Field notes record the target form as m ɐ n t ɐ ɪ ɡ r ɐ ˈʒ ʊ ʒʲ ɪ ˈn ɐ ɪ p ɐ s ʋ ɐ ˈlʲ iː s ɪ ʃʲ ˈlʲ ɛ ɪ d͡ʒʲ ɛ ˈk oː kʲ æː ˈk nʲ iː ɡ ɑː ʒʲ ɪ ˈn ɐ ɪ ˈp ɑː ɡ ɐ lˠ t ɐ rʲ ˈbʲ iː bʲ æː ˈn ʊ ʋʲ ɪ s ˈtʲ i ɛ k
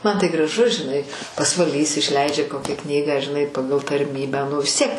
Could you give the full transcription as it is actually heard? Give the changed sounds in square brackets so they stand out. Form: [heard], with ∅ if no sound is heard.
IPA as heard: m ɐ n t ɐ ɪ ɡ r ɐ ˈʒ ʊ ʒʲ ɪ ˈn ɐ ɪ p ɐ s ʋ ɐ ˈlʲ iː s ɪ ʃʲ ˈlʲ ɛ ɪ d͡ʒʲ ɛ ˈk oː kʲ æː ˈk nʲ iː ɡ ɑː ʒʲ ɪ ˈn ɐ ɪ ˈp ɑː ɡ ɐ lˠ t ɐ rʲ [ˈmʲ] iː bʲ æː ˈn ʊ ʋʲ ɪ s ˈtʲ i ɛ k

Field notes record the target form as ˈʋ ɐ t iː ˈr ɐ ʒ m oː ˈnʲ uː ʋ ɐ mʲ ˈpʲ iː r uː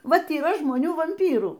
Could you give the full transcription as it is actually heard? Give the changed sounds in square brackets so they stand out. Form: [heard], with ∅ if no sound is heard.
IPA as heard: ˈʋ ɐ t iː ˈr ɐ ʒ m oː ˈnʲ uː ʋ ɐ mʲ ˈpʲ iː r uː

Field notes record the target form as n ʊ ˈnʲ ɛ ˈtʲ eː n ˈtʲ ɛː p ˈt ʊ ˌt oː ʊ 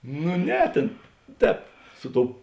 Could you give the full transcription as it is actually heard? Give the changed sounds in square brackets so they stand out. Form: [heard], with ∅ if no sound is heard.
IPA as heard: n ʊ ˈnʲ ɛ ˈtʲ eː n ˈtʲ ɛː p [ˈs] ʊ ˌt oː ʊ

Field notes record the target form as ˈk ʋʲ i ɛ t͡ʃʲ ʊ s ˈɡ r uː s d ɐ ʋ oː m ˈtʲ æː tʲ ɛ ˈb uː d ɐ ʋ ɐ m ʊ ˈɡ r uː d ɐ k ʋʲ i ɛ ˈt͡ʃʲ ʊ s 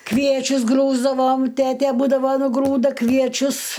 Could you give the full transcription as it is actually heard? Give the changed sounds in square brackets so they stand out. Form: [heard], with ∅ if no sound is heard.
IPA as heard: ˈk ʋʲ i ɛ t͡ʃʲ ʊ s ˈɡ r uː [z] d ɐ ʋ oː m ˈtʲ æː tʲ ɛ ˈb uː d ɐ ʋ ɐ [n] ʊ ˈɡ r uː d ɐ k ʋʲ i ɛ ˈt͡ʃʲ ʊ s

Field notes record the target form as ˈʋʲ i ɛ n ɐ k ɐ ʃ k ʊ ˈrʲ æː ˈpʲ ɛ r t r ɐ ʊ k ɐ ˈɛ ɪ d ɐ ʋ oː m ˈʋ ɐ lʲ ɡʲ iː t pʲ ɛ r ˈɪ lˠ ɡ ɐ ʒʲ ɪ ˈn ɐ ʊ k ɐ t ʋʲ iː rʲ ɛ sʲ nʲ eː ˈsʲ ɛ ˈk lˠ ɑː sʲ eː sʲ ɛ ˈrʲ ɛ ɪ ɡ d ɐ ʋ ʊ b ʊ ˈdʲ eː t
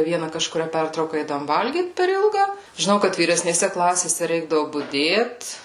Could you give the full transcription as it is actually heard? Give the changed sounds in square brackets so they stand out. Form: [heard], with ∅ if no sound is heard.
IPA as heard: ˈʋʲ i ɛ n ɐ k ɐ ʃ k ʊ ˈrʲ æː ˈpʲ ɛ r t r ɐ ʊ k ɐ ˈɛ ɪ d ɐ ʋ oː m ˈʋ ɐ lʲ ɡʲ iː t pʲ ɛ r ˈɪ lˠ ɡ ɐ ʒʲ ɪ ˈn ɐ ʊ k ɐ t ʋʲ iː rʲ ɛ sʲ nʲ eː ˈsʲ ɛ ˈk lˠ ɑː sʲ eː sʲ ɛ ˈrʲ ɛ ɪ ɡ d ɐ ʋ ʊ b ʊ ˈdʲ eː t

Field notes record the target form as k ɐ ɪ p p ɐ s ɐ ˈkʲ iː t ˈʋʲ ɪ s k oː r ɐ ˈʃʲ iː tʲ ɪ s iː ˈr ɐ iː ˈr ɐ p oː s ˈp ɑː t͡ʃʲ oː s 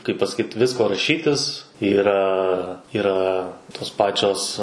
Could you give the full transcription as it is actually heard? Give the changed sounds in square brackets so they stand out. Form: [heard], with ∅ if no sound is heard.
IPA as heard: k ɐ ɪ p p ɐ s ɐ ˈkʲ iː t ˈʋʲ ɪ s k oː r ɐ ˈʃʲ iː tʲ ɪ s iː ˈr ɐ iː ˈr ɐ [t] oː s ˈp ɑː t͡ʃʲ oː s

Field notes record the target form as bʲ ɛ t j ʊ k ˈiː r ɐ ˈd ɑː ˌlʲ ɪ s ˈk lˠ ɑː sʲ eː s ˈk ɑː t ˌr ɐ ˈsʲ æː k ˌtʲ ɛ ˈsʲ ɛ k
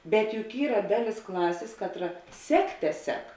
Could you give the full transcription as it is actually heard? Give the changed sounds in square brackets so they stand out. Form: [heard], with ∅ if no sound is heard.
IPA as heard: bʲ ɛ t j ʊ k ˈiː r ɐ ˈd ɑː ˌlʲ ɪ s ˈk lˠ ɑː sʲ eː s ˈk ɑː t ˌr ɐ ˈsʲ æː k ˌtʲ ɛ ˈsʲ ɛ k

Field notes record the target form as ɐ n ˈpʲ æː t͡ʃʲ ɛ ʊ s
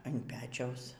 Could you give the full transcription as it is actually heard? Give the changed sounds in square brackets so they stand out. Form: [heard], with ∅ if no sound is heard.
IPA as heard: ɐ n ˈpʲ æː t͡ʃʲ ɛ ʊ s

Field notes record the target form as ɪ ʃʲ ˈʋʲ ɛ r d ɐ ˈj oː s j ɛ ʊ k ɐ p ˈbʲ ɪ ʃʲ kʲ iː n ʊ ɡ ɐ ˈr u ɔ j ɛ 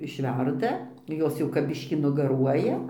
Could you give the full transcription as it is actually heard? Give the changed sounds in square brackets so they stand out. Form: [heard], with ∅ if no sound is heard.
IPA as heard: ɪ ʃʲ ˈʋʲ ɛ r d ɐ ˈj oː s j ɛ ʊ k ɐ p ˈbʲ ɪ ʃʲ kʲ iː n ʊ ɡ ɐ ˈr u ɔ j ɛ

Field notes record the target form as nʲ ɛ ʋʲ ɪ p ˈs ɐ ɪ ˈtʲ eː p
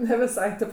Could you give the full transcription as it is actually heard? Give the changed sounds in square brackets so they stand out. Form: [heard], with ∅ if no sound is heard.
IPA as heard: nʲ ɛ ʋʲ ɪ [∅] ˈs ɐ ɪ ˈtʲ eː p

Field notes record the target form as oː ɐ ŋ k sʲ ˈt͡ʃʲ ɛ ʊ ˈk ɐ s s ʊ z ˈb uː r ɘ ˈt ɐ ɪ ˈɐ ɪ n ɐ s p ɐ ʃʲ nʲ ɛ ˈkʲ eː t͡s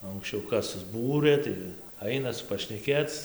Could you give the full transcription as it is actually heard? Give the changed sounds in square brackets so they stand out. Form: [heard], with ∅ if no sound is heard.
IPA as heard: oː ɐ ŋ k sʲ ˈt͡ʃʲ ɛ ʊ ˈk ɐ s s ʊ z ˈb uː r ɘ ˈt ɐ ɪ ˈɐ ɪ n ɐ s p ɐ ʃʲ nʲ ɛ ˈkʲ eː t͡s

